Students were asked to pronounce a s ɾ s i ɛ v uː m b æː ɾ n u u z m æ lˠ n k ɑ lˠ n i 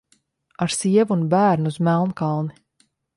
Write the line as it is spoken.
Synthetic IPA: a ɾ s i ɛ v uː n b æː ɾ n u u z m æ lˠ n k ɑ lˠ n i